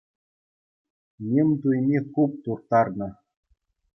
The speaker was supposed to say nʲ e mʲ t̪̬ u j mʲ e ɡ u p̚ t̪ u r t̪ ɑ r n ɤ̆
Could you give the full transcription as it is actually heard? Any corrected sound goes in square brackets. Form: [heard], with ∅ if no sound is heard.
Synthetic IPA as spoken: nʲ e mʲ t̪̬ u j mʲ e [k] u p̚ t̪ u r t̪ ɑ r n ɤ̆

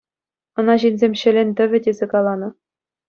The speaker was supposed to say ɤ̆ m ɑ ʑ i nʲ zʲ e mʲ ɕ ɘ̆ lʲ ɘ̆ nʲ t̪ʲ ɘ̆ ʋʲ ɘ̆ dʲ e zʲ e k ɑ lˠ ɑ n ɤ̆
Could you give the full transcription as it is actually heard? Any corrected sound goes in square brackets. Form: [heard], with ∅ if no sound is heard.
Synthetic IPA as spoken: ɤ̆ [n] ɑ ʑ i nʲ zʲ e mʲ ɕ ɘ̆ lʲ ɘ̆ nʲ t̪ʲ ɘ̆ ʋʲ ɘ̆ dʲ e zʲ e k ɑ lˠ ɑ n ɤ̆

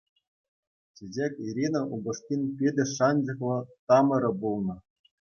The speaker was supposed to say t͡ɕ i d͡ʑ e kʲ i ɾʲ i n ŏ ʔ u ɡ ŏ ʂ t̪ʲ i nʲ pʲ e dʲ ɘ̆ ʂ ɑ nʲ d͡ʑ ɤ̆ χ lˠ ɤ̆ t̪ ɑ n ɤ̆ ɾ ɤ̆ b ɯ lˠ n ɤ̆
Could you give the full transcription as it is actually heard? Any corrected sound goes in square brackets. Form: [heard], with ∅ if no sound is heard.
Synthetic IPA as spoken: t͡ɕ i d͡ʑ e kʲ i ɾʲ i n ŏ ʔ u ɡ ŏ ʂ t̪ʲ i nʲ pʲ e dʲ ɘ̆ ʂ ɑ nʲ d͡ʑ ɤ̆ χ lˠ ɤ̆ t̪ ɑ [m] ɤ̆ ɾ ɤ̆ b [u] lˠ n ɤ̆

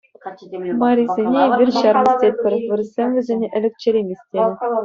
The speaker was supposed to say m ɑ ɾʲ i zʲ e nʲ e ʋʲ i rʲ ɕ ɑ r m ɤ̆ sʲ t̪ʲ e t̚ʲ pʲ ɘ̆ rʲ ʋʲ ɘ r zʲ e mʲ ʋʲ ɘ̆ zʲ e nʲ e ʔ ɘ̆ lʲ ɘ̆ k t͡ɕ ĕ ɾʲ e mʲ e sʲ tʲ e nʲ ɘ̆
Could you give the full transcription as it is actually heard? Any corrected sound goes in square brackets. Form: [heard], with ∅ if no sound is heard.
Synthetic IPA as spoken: m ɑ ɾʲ i zʲ e nʲ e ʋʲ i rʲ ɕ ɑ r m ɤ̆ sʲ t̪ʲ e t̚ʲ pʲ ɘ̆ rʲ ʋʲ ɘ r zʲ e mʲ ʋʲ ɘ̆ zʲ e nʲ e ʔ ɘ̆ lʲ ɘ̆ k t͡ɕ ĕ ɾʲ e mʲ e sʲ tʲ e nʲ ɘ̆

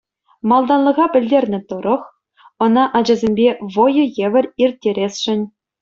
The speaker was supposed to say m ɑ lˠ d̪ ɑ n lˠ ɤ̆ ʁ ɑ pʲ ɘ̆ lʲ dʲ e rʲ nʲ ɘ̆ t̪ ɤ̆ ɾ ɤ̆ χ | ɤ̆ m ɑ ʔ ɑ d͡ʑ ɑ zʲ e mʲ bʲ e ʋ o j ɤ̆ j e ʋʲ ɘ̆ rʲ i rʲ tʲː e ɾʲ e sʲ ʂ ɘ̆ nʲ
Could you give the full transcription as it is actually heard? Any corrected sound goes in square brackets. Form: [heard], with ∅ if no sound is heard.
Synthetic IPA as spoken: m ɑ lˠ d̪ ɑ n lˠ ɤ̆ ʁ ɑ pʲ ɘ̆ lʲ dʲ e rʲ nʲ ɘ̆ t̪ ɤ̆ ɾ ɤ̆ χ | ɤ̆ [n] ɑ ʔ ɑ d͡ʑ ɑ zʲ e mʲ bʲ e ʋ o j ɤ̆ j e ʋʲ ɘ̆ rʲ i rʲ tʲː e ɾʲ e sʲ ʂ ɘ̆ nʲ

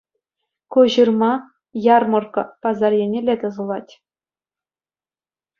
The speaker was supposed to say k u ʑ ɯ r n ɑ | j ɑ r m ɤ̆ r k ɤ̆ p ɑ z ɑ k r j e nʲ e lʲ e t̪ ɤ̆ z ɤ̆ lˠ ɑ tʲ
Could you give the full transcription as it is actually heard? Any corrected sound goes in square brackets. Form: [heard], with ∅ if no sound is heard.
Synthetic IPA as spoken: k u ʑ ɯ r [m] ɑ | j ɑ r m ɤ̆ r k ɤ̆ p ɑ z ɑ [∅] r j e nʲ e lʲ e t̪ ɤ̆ z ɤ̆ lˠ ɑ tʲ

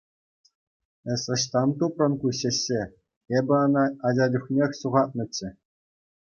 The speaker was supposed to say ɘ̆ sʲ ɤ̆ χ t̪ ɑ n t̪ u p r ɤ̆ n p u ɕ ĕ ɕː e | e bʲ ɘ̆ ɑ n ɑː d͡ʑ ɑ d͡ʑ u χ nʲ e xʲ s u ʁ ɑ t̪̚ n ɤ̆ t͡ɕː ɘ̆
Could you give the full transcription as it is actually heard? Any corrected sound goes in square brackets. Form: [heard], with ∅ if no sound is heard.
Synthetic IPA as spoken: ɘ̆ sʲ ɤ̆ [ɕ] t̪ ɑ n t̪ u p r ɤ̆ n [k] u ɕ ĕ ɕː e | e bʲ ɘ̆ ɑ n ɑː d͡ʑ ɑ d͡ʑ u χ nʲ e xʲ s u ʁ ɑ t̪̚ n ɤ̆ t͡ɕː ɘ̆

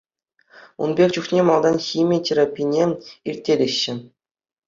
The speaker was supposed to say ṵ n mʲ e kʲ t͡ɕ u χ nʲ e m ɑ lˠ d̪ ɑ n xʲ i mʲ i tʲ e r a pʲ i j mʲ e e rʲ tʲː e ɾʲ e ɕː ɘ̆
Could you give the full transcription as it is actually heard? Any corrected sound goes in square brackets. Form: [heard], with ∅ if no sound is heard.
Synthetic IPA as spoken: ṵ n [bʲ] e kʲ t͡ɕ u χ nʲ e m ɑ lˠ d̪ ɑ n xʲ i mʲ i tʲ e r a pʲ i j [nʲ] e [i] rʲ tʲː e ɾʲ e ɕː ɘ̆

